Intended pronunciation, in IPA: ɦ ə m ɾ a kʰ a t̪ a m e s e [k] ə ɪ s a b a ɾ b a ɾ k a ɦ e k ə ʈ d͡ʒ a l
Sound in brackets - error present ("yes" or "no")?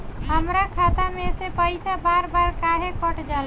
yes